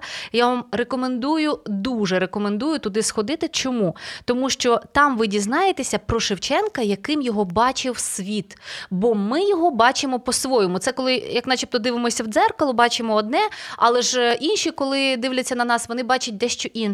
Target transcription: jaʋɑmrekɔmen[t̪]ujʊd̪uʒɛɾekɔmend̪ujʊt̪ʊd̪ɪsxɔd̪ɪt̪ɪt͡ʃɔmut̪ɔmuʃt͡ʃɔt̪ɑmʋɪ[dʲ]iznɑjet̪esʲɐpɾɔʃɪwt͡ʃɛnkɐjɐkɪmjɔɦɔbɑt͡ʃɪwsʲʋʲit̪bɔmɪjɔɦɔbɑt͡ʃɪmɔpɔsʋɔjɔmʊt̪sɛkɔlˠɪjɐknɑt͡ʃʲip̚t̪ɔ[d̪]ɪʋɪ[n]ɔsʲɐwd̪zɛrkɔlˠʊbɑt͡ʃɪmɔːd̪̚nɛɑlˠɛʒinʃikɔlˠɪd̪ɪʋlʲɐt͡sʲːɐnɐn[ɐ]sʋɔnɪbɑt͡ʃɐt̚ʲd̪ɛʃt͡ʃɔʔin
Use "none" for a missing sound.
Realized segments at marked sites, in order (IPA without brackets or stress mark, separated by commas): d̪, dʲ, d̪, m, ɑ